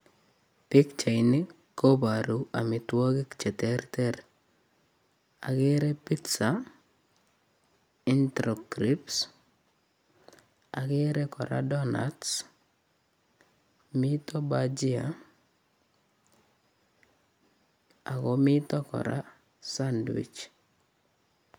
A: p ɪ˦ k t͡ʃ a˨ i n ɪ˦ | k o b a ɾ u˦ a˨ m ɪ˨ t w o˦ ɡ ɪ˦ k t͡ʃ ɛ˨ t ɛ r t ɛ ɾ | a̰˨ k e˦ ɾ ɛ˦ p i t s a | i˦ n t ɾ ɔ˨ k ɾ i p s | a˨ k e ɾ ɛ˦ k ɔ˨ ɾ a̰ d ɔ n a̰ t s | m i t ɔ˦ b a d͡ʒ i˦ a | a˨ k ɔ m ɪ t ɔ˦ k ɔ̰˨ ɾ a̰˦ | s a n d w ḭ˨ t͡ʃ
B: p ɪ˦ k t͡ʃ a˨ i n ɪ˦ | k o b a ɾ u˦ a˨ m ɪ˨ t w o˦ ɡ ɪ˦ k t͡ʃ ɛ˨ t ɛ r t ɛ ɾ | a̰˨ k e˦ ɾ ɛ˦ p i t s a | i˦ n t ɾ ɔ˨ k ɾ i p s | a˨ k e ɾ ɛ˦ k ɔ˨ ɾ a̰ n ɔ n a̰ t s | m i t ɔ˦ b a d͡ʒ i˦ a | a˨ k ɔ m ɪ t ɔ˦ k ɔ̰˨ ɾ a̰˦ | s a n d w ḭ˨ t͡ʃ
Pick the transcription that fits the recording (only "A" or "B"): A